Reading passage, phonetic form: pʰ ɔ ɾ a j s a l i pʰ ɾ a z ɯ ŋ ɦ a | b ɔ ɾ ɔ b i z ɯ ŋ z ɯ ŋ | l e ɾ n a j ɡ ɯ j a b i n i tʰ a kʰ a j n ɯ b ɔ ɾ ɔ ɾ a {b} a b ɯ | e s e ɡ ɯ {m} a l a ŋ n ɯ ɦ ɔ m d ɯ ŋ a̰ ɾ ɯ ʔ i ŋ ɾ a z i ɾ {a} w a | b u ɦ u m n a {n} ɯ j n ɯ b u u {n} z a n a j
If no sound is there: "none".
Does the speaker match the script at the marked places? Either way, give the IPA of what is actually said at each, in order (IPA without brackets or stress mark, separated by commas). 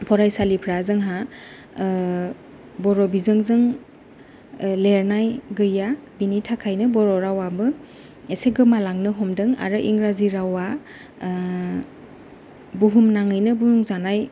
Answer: w, m, a, ŋ, ŋ